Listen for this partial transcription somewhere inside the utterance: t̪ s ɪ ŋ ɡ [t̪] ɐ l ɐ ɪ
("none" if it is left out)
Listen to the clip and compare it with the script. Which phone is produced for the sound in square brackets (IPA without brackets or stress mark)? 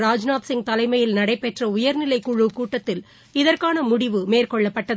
t̪